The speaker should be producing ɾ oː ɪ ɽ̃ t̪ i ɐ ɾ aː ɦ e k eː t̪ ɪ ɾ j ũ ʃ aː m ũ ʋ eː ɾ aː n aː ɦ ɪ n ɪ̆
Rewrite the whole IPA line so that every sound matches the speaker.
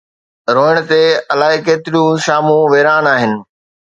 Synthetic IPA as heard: ɾ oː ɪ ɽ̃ t̪ e ɐ l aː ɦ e k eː t̪ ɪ ɾ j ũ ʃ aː m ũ ʋ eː ɾ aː n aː ɦ ɪ n ɪ̆